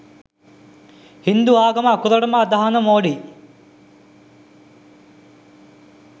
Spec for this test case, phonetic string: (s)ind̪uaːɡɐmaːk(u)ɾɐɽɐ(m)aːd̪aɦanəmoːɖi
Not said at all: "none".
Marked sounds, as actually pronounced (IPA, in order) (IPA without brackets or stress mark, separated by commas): h, u, m